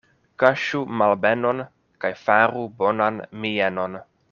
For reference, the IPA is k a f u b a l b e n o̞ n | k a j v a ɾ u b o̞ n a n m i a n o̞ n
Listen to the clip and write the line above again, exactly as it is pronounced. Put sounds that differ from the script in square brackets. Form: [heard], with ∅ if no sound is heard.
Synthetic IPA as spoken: k a [ʃ] u [m] a l b e n o̞ n | k a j [f] a ɾ u b o̞ n a n m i [e] n o̞ n